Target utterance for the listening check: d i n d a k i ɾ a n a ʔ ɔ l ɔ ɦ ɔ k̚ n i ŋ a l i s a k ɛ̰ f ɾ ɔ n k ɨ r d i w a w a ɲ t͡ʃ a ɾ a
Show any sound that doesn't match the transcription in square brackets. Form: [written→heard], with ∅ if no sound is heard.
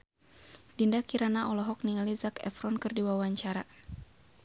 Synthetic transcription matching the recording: d i n d a k i ɾ a n a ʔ ɔ l ɔ ɦ ɔ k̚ n i ŋ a l i [s→z] a k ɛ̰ f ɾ ɔ n k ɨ r d i w a w a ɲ t͡ʃ a ɾ a